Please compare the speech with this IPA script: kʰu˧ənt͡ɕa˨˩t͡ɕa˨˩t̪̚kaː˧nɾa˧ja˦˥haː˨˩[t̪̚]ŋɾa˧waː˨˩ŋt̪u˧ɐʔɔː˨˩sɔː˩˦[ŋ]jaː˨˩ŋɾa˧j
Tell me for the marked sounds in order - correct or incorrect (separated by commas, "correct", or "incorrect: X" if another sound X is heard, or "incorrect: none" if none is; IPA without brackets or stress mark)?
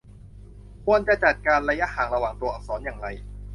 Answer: incorrect: none, incorrect: n